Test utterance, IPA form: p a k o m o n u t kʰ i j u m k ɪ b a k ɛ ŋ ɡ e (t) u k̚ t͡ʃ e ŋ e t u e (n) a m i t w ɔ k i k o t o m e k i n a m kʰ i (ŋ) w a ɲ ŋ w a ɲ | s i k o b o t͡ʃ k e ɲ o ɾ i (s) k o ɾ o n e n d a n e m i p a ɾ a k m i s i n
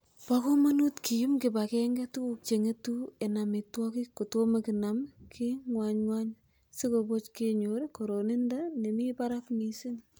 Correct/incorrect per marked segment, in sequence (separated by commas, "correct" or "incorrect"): correct, correct, correct, incorrect